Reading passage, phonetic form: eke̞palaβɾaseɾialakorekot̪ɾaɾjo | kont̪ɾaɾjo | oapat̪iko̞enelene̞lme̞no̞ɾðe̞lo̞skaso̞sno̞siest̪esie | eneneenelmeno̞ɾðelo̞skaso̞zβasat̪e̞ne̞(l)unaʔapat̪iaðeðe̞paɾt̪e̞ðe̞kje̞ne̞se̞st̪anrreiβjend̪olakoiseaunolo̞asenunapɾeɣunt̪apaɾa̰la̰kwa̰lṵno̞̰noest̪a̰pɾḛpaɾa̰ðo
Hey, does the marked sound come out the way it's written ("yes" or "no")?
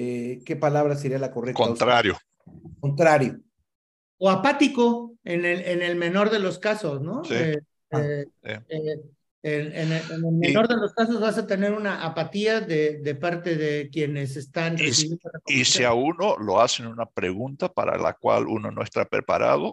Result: no